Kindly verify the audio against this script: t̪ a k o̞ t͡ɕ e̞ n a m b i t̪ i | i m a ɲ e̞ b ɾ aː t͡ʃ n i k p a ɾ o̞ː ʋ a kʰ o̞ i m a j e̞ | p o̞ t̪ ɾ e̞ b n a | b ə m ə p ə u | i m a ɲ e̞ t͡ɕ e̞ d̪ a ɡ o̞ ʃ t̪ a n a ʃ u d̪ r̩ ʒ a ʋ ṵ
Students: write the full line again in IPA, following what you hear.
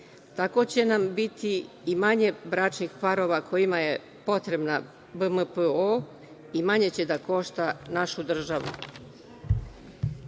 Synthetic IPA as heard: t̪ a k o̞ t͡ɕ e̞ n a m b i t̪ i | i m a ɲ e̞ b ɾ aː t͡ʃ n i x p a ɾ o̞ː ʋ a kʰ o̞ i m a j e̞ | p o̞ t̪ ɾ e̞ b n a | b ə m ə p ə o | i m a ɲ e̞ t͡ɕ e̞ d̪ a k o̞ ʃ t̪ a n a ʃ u d̪ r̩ ʒ a ʋ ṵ